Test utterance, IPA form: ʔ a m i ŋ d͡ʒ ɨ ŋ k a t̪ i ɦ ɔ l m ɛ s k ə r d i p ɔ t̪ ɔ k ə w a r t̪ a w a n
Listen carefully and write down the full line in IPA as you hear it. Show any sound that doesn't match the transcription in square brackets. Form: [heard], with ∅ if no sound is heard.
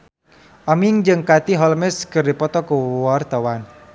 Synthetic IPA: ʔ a m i ŋ d͡ʒ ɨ ŋ k a t̪ i ɦ ɔ l m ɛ s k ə r d i p ɔ t̪ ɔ k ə w a r t̪ a w a n